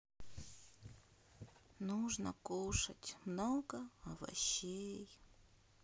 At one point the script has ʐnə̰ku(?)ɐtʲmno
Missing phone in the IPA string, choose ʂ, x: ʂ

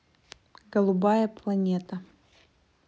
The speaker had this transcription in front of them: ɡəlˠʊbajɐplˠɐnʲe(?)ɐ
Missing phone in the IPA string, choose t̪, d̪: t̪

